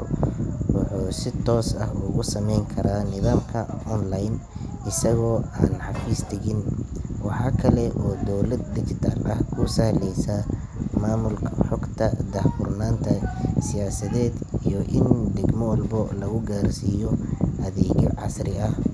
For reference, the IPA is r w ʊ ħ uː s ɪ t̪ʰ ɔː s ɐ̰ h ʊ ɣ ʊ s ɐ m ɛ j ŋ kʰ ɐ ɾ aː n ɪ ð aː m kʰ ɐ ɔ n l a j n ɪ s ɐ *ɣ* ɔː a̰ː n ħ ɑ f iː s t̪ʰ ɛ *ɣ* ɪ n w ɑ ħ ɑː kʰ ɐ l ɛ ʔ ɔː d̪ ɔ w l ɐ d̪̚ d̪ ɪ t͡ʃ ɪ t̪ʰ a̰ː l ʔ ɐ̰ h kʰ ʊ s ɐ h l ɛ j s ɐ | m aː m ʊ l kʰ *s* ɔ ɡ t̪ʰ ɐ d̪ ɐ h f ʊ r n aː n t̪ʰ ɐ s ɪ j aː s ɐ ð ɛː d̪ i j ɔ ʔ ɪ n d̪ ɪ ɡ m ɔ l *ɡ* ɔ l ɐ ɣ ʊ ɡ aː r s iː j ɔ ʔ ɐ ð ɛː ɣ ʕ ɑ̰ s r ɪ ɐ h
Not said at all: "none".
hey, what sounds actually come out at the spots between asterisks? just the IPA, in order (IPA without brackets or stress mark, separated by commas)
ɣ, ɣ, ħ, b